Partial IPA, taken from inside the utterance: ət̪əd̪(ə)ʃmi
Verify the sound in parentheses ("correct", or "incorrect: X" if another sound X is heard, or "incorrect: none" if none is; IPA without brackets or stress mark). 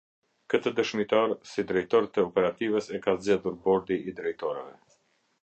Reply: correct